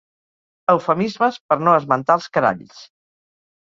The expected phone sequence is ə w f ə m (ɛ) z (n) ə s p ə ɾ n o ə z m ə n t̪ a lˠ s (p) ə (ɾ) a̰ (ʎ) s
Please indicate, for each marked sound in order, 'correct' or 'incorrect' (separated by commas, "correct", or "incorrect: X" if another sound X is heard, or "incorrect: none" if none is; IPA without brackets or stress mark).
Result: incorrect: i, incorrect: m, incorrect: k, correct, correct